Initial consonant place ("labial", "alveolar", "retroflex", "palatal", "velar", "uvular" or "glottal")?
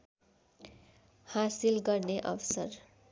glottal